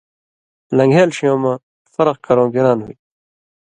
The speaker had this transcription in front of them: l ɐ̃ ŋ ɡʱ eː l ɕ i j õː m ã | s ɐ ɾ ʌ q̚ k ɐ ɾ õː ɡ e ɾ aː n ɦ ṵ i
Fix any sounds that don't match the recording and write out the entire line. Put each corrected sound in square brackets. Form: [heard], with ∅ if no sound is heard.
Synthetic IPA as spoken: l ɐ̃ ŋ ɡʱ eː l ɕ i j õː m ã | [f] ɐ ɾ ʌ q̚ k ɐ ɾ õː ɡ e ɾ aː n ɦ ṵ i